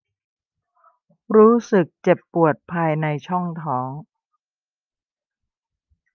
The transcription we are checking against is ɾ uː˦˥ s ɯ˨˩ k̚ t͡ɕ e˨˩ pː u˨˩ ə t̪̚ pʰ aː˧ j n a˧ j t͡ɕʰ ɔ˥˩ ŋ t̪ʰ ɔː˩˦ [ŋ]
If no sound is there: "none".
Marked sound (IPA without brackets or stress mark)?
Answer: ŋ